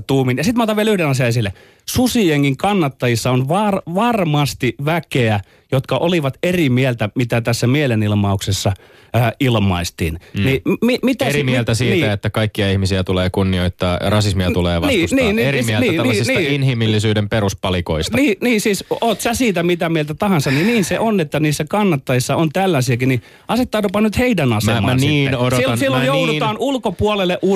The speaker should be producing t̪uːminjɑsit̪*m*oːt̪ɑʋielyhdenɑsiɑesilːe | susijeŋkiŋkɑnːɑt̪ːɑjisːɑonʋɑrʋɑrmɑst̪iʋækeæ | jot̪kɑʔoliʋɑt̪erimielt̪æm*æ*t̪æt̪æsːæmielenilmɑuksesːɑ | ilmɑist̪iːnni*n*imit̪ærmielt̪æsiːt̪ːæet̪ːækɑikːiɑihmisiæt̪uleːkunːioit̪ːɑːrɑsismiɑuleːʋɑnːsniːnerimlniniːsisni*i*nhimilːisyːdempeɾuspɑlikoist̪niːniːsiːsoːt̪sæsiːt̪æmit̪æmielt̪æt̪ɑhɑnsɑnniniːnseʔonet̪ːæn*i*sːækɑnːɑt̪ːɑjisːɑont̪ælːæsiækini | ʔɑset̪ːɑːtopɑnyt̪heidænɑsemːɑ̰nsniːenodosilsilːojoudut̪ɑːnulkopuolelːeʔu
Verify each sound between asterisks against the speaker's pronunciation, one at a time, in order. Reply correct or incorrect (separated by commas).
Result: correct, incorrect, incorrect, correct, incorrect